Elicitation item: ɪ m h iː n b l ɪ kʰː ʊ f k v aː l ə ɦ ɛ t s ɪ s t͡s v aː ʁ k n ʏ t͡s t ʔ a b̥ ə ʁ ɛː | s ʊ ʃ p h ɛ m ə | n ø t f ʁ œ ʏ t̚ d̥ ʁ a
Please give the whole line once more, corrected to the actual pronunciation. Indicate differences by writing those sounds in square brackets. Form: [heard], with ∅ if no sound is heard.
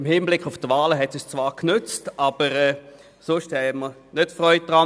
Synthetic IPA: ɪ m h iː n b l ɪ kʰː ʊ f [t] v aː l ə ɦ ɛ t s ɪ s t͡s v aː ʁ k n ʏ t͡s t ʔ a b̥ ə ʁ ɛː | s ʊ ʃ [t] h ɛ m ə | n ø t f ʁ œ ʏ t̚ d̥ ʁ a